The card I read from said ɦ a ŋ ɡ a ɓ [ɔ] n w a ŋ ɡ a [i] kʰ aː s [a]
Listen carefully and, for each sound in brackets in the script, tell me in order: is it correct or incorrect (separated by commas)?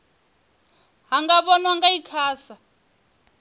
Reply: correct, correct, correct